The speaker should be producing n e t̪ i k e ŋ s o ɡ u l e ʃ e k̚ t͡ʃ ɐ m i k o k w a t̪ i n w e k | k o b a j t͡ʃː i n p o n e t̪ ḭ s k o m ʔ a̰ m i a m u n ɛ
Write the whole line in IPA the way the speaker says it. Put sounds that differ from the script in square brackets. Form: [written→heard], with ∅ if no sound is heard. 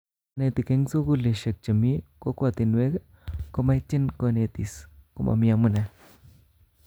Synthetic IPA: n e t̪ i k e ŋ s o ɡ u l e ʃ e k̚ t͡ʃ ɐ m i k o k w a t̪ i n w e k | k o [b→m] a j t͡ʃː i n [p→k] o n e t̪ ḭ s k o m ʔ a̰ m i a m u n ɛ